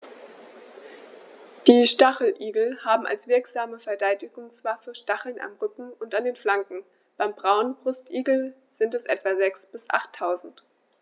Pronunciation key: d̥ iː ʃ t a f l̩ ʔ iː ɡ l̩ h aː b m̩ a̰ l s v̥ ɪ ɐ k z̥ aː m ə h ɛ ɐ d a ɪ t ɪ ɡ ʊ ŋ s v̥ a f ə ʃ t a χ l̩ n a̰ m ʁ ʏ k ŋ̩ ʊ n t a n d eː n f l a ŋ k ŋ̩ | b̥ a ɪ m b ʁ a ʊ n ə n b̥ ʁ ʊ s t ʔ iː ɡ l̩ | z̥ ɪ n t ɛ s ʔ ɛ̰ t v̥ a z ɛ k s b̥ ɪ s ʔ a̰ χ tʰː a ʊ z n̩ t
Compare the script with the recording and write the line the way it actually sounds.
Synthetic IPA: d̥ iː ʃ t a χ l̩ ʔ iː ɡ l̩ h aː b m̩ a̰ l s v̥ ɪ ɐ k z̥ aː m ə f ɛ ɐ d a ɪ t ɪ ɡ ʊ ŋ s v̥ a f ə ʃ t a χ l̩ n a̰ m ʁ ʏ k ŋ̩ ʊ n t a n d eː n f l a ŋ k ŋ̩ | b̥ a ɪ m b ʁ a ʊ n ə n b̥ ʁ ʊ s t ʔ iː ɡ l̩ | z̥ ɪ n t ɛ s ʔ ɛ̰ t v̥ a z ɛ k s b̥ ɪ s ʔ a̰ χ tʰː a ʊ z n̩ t